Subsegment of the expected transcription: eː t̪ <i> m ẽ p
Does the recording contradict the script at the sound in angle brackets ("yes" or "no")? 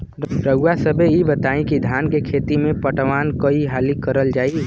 no